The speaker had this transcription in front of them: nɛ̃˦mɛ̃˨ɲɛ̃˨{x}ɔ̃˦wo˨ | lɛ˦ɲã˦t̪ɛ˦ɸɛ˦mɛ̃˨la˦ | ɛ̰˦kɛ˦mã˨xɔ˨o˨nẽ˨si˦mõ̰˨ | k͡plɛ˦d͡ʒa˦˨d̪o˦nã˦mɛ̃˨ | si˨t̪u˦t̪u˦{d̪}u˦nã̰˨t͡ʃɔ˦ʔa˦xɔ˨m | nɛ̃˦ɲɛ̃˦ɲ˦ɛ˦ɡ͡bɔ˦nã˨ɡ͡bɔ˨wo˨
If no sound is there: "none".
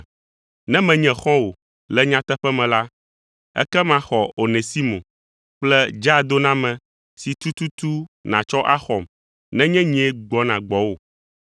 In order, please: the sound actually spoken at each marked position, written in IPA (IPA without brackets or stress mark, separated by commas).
x, t̪